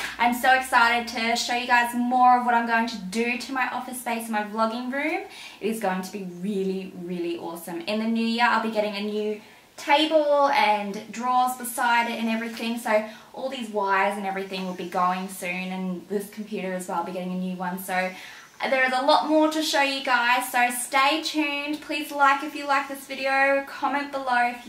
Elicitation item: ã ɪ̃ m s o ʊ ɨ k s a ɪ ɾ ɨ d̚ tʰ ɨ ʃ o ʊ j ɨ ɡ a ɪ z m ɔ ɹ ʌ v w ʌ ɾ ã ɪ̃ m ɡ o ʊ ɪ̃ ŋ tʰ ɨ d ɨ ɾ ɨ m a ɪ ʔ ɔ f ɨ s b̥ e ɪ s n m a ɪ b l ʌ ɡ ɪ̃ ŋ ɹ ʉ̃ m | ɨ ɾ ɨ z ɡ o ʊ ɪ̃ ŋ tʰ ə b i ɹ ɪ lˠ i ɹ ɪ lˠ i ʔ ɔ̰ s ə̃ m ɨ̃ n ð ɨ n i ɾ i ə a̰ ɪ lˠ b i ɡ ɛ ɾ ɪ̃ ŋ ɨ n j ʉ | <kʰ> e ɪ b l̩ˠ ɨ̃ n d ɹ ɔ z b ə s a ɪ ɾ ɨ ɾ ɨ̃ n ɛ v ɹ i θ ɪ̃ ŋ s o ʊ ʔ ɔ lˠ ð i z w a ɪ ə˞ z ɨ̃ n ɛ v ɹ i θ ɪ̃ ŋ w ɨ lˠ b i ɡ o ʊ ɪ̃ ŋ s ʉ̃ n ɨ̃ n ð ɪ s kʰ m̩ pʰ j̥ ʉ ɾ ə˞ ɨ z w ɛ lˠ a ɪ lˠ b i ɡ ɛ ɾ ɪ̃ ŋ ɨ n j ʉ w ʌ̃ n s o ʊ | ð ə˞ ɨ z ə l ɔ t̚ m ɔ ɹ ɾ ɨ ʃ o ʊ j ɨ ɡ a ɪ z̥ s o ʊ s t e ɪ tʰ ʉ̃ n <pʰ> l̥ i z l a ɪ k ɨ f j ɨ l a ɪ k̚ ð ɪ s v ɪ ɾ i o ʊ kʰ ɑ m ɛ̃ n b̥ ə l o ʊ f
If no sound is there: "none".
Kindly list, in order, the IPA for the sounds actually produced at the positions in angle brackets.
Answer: tʰ, pʰ

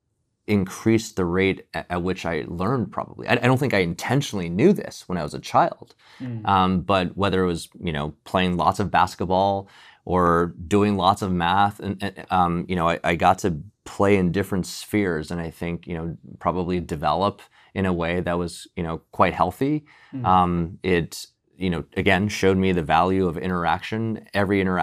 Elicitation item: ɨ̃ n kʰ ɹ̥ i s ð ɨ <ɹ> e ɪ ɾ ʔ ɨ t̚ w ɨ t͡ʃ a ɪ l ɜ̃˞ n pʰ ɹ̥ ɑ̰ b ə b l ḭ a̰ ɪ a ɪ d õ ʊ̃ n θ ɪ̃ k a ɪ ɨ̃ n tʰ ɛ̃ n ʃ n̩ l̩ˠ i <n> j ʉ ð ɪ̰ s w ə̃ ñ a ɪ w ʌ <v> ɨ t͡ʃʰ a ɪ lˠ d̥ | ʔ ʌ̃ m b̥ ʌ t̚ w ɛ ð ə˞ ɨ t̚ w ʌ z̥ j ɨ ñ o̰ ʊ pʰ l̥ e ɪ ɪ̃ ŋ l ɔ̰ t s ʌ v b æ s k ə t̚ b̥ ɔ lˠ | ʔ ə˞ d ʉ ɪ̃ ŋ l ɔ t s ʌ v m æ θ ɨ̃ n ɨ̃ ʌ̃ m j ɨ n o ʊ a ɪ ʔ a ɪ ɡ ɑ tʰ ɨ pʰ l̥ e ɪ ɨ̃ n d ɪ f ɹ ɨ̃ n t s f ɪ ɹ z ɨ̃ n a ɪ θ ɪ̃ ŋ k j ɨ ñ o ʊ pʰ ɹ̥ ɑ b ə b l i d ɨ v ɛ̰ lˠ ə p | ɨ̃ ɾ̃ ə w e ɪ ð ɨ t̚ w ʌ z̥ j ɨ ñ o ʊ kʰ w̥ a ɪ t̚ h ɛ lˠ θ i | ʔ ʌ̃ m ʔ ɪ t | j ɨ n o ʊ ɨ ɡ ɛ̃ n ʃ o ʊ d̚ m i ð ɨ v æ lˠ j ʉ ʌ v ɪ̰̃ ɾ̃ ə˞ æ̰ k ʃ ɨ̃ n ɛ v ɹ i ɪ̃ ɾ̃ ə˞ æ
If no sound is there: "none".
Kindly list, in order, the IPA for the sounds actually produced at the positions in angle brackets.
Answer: ɹ, n, z

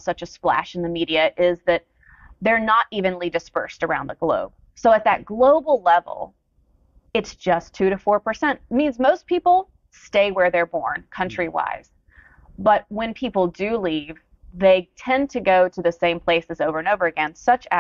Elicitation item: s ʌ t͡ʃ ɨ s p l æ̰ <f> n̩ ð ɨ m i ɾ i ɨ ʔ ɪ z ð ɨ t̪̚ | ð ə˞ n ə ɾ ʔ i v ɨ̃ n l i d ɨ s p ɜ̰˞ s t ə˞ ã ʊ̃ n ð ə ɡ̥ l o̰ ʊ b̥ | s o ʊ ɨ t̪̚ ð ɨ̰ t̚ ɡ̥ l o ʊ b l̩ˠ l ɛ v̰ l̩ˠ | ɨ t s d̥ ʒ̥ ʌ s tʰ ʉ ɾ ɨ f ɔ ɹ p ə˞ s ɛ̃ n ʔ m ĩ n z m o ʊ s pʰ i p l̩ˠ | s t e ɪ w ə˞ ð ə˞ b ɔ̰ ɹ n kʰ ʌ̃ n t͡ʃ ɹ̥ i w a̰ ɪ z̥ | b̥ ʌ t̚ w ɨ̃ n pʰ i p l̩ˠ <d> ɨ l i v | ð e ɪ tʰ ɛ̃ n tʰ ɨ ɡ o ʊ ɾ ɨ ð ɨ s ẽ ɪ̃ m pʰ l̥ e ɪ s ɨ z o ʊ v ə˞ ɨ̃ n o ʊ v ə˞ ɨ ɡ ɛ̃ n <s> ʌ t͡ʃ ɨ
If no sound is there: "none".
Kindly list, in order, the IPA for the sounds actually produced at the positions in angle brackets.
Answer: ʃ, d, s

